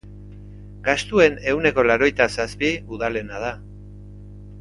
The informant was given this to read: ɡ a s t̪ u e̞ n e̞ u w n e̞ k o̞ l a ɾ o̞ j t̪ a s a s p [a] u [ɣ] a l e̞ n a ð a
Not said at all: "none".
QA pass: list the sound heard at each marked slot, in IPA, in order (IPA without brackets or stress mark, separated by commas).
i, ð